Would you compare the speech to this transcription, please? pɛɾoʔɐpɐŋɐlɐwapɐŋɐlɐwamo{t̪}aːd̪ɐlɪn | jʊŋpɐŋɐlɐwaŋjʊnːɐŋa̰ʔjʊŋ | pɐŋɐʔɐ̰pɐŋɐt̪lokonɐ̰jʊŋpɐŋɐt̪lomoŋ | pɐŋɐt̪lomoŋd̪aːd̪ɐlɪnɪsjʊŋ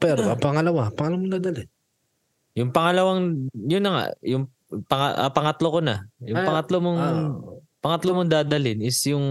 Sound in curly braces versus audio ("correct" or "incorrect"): incorrect